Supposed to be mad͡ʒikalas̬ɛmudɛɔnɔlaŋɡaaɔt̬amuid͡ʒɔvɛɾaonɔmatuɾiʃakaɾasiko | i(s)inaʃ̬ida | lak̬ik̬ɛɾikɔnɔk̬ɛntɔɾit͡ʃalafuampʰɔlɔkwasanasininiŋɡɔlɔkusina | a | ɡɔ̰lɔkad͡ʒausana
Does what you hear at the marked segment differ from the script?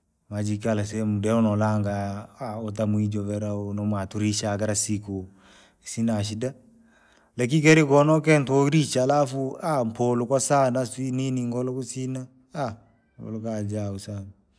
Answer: no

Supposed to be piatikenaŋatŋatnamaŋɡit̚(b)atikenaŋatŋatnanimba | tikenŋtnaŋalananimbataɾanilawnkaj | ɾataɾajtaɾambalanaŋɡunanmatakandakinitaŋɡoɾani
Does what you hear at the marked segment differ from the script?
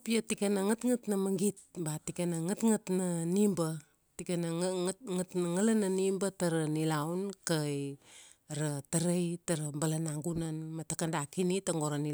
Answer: no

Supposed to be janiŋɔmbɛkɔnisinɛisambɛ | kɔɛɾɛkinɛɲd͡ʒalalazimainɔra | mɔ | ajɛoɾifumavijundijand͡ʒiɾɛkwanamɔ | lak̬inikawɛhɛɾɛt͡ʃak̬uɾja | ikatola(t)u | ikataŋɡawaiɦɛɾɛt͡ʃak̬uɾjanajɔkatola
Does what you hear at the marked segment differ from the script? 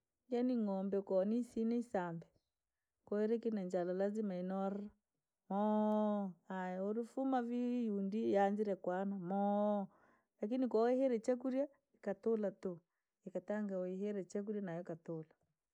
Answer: no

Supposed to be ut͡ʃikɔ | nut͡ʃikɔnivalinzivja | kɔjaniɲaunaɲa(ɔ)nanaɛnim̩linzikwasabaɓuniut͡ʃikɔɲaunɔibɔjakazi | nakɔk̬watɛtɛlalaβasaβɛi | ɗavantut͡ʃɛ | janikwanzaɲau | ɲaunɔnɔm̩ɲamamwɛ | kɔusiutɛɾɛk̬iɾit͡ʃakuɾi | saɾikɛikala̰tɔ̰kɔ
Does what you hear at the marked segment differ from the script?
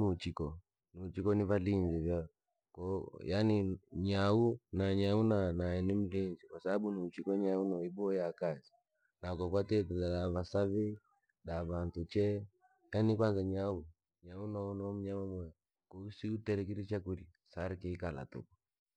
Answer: yes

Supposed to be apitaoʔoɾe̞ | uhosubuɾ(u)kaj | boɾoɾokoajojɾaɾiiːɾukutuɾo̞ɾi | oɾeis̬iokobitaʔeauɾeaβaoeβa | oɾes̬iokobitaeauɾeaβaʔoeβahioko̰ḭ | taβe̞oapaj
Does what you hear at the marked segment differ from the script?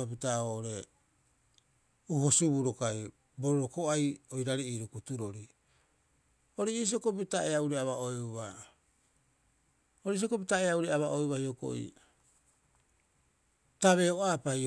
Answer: yes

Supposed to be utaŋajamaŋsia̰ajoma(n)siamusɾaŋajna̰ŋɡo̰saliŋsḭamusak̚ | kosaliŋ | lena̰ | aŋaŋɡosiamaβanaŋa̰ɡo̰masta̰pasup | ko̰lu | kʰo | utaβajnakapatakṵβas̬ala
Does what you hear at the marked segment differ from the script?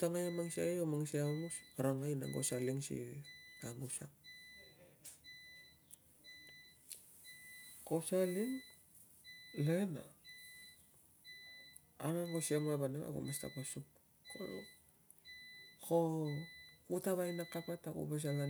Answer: yes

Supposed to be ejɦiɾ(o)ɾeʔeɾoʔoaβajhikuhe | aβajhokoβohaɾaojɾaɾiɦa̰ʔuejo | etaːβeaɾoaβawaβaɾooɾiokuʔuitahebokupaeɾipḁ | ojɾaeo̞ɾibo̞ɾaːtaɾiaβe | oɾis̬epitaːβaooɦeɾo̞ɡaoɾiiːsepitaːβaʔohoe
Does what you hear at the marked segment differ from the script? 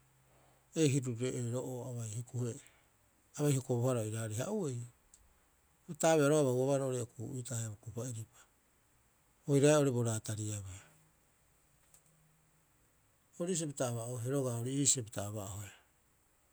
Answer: yes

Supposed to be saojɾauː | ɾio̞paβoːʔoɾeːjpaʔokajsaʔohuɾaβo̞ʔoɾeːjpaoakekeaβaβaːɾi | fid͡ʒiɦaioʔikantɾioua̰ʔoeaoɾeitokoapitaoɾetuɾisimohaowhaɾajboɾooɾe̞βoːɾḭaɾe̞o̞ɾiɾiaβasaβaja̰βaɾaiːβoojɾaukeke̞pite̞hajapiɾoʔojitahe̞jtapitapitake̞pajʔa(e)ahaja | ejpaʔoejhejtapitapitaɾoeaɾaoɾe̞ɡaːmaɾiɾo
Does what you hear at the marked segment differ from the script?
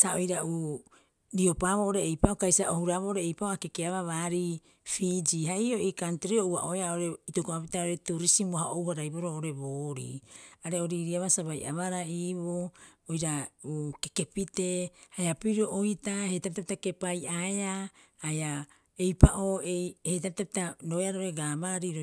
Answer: no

